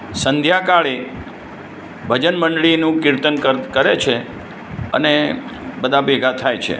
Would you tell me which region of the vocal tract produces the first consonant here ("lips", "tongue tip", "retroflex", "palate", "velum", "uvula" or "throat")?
tongue tip